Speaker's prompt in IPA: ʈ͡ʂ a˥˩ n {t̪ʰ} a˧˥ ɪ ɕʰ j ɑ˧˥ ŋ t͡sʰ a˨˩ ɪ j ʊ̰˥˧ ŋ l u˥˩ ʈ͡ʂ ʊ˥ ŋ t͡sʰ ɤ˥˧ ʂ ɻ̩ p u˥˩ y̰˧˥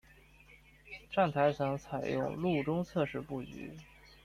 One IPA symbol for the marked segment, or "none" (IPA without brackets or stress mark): t̪ʰ